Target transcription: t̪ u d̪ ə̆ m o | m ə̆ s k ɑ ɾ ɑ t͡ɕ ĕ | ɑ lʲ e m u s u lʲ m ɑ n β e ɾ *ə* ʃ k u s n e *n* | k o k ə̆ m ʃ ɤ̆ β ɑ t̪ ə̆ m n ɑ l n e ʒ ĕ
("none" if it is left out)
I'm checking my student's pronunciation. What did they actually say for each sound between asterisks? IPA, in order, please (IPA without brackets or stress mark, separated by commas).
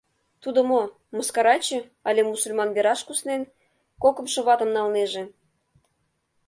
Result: ɑ, n